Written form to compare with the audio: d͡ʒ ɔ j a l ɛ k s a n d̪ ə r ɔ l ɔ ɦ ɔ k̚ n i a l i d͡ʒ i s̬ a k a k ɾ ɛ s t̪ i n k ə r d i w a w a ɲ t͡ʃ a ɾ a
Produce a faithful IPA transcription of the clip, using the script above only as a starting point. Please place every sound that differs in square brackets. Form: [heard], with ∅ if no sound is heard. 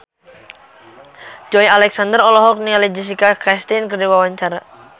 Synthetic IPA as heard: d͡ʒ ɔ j a l ɛ k s a n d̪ ə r ɔ l ɔ ɦ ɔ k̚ n i a l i d͡ʒ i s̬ [i] k a k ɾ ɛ s t̪ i n k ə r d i w a w a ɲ t͡ʃ a ɾ a